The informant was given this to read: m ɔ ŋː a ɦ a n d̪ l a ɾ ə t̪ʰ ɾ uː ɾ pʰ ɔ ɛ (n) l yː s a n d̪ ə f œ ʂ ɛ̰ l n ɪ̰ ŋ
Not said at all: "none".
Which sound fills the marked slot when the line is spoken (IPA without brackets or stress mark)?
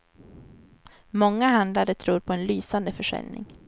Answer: n